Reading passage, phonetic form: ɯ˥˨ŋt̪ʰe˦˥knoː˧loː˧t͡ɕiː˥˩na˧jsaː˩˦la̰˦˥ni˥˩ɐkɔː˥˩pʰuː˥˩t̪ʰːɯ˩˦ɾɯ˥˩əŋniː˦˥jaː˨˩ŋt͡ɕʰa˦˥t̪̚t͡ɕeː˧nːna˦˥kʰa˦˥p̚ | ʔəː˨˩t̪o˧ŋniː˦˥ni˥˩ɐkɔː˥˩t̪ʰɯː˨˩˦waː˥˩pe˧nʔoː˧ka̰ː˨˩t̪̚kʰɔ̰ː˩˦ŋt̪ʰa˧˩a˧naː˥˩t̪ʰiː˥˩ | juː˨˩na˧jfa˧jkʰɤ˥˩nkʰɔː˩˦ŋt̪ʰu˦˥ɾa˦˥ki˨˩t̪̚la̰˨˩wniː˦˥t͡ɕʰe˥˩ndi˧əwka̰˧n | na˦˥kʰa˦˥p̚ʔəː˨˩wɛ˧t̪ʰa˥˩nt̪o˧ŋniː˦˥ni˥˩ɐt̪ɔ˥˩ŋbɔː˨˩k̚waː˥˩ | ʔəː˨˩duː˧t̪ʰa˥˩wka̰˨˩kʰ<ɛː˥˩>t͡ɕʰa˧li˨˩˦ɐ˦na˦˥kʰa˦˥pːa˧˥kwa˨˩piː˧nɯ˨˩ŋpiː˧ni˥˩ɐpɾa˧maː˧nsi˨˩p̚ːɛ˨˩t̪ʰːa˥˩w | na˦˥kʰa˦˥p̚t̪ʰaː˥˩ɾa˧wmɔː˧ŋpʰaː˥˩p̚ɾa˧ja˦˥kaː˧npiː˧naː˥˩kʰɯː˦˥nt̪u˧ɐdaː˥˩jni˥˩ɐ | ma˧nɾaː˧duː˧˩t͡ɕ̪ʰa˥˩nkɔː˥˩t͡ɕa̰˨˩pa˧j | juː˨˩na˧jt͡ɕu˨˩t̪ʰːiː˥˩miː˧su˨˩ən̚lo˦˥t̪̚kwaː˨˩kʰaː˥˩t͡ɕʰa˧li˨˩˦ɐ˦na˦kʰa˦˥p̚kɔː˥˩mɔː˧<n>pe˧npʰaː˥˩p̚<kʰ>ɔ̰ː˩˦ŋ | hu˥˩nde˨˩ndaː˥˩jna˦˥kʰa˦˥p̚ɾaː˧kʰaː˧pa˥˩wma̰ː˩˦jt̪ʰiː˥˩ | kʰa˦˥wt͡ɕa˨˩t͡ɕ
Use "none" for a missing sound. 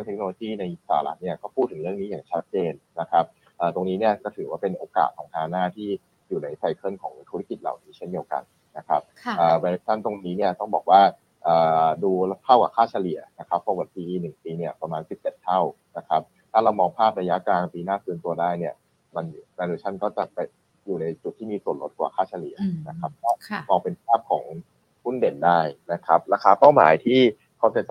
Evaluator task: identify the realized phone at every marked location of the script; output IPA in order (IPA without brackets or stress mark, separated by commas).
aː˥˩, ŋ, kʰ